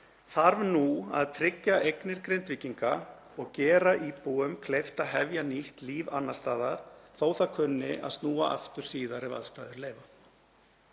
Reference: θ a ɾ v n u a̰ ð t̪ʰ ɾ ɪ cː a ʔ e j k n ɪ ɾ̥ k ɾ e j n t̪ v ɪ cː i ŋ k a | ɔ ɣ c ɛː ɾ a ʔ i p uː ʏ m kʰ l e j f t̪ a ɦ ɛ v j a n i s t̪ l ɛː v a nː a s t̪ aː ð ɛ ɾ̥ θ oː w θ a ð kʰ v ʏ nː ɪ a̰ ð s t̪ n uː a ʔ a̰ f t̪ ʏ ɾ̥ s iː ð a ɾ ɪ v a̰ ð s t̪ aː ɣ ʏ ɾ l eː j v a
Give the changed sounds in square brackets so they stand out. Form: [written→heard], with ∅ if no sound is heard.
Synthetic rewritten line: θ a ɾ v n u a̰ ð t̪ʰ ɾ ɪ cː a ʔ e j k n ɪ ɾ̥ k ɾ e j n t̪ v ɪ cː i ŋ k a | ɔ ɣ c ɛː ɾ a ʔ i p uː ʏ m kʰ l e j f t̪ a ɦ ɛ v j a n i [s→h] t̪ l [ɛː→iː] v a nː a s t̪ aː ð [ɛ→a] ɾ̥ θ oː w θ a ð kʰ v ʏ nː ɪ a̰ ð s t̪ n uː a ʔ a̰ f t̪ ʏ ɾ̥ s iː ð a ɾ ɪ v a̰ ð s t̪ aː [ɣ→ð] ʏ ɾ l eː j v a